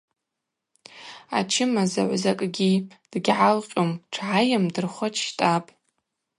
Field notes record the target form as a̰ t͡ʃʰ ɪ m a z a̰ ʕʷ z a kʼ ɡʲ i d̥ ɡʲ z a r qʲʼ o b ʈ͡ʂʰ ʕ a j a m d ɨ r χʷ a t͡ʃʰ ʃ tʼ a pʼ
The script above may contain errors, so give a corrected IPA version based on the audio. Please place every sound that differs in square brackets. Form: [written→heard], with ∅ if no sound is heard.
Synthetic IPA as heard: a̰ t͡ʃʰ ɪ m a z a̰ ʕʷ z a kʼ ɡʲ i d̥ ɡʲ [z→ʕ] a [r→l] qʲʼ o [b→m] ʈ͡ʂʰ ʕ a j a m d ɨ r χʷ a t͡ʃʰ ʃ tʼ a pʼ